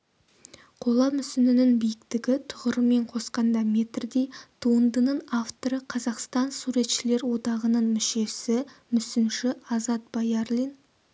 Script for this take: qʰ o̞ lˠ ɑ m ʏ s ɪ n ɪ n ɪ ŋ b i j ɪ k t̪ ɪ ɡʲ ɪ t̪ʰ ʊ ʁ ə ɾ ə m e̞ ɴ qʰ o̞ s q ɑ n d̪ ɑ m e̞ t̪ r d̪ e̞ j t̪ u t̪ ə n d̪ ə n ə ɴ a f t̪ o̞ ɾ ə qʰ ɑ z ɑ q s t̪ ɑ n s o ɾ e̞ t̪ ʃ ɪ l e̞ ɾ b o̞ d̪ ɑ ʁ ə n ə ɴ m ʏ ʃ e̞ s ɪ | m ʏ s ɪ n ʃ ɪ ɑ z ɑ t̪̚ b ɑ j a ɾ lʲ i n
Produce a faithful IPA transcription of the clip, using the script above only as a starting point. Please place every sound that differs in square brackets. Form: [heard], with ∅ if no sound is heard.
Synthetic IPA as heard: qʰ o̞ lˠ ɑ m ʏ s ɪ n ɪ n ɪ ŋ b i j ɪ k t̪ ɪ ɡʲ ɪ t̪ʰ ʊ ʁ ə ɾ ə m e̞ ɴ qʰ o̞ s q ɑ n d̪ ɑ m e̞ t̪ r d̪ e̞ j [t̪ʰ] u [∅] ə n d̪ ə n ə ɴ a f t̪ o̞ ɾ ə qʰ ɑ z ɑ q s t̪ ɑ n s [u] ɾ e̞ t̪ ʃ ɪ l e̞ ɾ [w] o̞ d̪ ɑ ʁ ə n ə ɴ m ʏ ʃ e̞ s ɪ | m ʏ s ɪ n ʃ ɪ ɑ z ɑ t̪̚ b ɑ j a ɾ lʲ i n